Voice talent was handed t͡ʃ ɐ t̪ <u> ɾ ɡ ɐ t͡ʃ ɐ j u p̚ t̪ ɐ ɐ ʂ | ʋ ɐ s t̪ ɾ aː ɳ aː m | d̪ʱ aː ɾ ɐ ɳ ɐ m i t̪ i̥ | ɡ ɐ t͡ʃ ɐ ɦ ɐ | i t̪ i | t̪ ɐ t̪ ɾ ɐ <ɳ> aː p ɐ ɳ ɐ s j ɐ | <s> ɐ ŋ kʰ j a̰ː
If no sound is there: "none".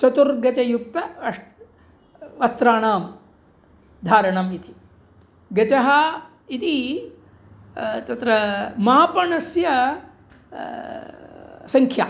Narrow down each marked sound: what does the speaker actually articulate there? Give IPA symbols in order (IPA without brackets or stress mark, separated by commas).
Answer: u, m, s